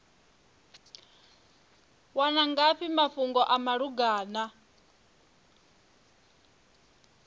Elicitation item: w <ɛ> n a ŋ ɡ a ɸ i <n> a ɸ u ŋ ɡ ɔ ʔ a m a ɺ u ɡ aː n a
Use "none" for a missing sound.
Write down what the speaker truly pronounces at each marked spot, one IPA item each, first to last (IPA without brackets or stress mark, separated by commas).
a, m